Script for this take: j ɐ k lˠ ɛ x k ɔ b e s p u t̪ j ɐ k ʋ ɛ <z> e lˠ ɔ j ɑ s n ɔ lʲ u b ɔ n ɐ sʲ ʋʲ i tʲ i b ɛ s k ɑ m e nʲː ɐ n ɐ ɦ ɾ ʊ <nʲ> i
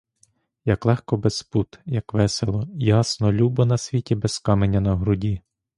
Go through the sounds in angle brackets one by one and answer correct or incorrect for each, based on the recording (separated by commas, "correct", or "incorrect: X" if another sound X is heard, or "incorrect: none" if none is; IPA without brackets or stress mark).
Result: incorrect: s, incorrect: dʲ